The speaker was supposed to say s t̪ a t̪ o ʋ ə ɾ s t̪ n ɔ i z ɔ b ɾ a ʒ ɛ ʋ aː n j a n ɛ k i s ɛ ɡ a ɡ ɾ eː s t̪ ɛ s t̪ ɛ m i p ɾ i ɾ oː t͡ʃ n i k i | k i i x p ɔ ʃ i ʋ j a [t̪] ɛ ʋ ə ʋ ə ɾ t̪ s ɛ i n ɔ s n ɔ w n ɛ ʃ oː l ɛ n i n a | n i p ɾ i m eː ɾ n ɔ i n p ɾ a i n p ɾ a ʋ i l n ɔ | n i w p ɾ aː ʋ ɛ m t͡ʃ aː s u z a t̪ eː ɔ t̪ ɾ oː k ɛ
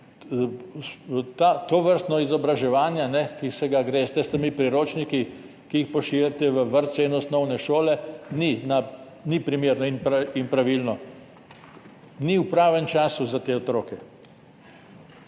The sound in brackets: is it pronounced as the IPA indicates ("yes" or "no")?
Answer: yes